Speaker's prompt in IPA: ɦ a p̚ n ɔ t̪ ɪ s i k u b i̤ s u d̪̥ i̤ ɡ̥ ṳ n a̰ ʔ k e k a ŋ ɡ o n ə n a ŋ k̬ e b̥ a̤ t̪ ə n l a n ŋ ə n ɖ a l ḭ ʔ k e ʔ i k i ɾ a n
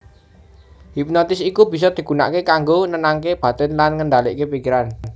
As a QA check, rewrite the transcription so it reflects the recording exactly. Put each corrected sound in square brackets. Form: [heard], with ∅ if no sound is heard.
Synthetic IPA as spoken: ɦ [i] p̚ n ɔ t̪ ɪ s i k u b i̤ s [ɔ] d̪̥ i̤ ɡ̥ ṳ n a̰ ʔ k e k a ŋ ɡ o n ə n a ŋ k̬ e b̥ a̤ t̪ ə n l a n ŋ ə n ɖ a l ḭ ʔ k e [p] i k i ɾ a n